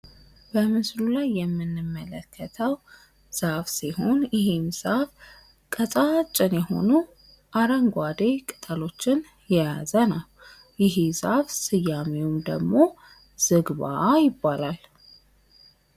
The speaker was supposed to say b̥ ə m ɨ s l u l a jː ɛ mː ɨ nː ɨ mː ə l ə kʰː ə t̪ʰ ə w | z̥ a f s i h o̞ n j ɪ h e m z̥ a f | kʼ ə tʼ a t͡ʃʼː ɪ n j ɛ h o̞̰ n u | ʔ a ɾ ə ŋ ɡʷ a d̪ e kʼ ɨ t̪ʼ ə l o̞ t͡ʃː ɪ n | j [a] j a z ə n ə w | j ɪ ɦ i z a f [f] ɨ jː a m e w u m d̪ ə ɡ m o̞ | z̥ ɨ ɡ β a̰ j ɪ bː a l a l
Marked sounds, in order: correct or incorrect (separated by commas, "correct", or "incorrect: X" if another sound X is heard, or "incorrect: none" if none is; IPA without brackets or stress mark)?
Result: incorrect: ɛ, incorrect: s